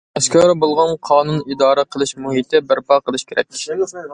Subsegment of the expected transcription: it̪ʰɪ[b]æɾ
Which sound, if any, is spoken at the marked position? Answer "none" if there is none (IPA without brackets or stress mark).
b